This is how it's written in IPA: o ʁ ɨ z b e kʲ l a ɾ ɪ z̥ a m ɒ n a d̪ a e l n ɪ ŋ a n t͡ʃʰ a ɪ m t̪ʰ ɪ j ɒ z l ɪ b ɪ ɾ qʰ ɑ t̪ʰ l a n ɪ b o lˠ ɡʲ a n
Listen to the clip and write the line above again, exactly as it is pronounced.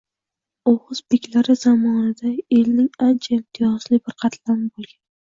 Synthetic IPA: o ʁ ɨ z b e kʲ l a ɾ ɪ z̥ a m ɒ n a d̪ a e l n ɪ ŋ a n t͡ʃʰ a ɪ m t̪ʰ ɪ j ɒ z l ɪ b ɪ ɾ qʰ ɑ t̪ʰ l a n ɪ b o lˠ ɡʲ a n